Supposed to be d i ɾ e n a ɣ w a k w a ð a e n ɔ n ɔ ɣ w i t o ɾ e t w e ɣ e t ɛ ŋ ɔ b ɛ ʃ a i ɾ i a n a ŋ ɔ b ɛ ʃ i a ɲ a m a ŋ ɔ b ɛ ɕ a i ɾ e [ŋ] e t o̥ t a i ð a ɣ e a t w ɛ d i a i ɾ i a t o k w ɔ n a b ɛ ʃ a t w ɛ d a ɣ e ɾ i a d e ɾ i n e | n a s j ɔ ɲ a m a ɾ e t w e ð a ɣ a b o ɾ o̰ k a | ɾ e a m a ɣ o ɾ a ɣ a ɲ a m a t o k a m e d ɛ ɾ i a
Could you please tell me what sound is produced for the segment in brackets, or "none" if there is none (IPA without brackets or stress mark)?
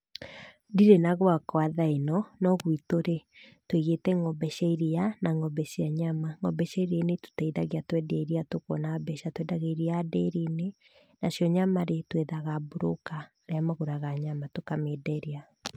n